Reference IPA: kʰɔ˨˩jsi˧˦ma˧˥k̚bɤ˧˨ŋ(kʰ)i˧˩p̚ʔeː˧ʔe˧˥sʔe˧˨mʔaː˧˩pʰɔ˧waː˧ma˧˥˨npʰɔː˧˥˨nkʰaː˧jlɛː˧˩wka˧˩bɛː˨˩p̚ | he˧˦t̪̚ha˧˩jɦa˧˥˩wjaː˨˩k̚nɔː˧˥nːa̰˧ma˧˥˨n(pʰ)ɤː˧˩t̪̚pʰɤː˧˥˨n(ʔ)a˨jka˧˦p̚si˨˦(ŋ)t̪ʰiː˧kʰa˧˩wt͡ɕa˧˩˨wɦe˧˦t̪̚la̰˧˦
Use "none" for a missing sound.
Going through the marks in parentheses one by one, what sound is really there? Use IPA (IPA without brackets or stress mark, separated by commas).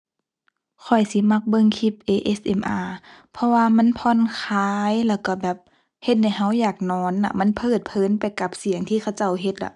kʰ, pʰ, p, ŋ